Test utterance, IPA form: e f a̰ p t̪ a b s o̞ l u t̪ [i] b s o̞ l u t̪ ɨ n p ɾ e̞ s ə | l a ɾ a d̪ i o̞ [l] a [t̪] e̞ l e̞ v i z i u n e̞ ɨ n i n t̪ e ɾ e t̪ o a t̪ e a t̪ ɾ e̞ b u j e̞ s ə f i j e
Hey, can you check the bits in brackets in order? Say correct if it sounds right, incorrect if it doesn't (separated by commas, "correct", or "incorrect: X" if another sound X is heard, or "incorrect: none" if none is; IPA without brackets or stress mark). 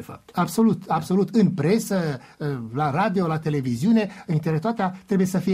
incorrect: a, correct, correct